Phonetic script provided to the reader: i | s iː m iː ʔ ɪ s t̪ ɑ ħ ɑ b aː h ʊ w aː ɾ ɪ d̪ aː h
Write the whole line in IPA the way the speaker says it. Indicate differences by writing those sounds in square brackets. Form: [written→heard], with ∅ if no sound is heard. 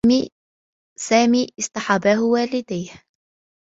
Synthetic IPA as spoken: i | s [iː→aː] m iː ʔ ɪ s t̪ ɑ ħ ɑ b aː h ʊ w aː [ɾ→l] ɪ d̪ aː h